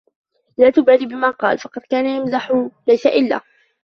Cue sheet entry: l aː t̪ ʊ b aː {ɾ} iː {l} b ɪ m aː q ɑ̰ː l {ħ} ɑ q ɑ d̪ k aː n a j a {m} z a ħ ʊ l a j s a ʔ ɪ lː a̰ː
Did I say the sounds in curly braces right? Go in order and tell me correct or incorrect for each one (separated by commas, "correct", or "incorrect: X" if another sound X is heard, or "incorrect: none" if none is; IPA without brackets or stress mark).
incorrect: l, incorrect: none, incorrect: f, correct